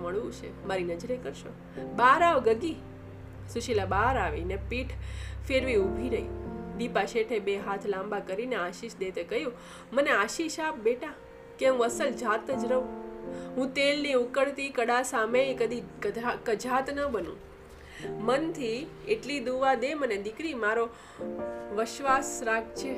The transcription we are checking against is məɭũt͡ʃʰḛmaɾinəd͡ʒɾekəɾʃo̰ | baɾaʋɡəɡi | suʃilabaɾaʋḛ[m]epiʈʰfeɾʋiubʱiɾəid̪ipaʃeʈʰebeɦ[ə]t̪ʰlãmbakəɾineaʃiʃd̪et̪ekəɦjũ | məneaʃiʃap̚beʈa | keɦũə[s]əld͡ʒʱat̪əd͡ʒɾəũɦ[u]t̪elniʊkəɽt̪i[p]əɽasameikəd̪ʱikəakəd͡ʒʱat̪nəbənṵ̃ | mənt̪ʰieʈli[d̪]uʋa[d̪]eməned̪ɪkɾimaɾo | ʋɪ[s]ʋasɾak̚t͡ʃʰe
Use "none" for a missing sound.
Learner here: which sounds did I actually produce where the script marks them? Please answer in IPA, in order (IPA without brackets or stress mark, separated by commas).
n, a, s, ũ, k, d̪, d̪, ʃ